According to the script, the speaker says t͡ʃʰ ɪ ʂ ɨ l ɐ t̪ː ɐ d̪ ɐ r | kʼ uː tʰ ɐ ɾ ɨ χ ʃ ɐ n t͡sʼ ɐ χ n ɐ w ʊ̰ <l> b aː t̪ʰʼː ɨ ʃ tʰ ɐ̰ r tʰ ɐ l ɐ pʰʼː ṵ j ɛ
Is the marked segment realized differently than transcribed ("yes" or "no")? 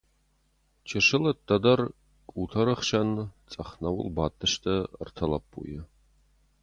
no